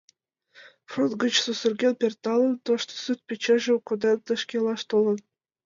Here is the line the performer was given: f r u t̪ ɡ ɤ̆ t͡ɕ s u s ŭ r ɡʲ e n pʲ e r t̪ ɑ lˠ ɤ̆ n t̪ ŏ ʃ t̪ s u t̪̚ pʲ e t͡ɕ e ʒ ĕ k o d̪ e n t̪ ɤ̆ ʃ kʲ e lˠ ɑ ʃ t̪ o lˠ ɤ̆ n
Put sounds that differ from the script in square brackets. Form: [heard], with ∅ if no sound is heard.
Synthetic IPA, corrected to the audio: f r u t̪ ɡ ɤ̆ t͡ɕ s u s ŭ r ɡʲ e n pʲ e r t̪ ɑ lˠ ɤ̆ n t̪ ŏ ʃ t̪ s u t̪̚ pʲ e t͡ɕ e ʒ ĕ k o d̪ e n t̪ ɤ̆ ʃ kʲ e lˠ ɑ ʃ t̪ o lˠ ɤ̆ n